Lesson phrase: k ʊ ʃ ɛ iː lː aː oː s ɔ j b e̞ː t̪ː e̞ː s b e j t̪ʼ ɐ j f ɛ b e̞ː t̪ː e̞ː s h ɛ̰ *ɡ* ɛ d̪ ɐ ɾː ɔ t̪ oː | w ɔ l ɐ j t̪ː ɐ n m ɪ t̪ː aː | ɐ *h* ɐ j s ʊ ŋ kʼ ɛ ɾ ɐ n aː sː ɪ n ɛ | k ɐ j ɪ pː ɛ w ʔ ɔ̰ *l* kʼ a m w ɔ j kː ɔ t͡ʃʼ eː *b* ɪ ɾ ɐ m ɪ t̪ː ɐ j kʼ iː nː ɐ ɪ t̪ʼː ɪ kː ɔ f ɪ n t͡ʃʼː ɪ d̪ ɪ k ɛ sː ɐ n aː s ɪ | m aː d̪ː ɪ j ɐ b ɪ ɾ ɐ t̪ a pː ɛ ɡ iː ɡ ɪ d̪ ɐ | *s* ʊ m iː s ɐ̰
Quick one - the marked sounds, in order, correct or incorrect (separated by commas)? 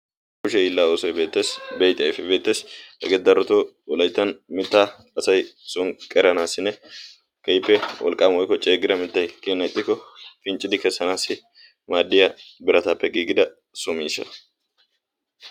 correct, incorrect, correct, incorrect, correct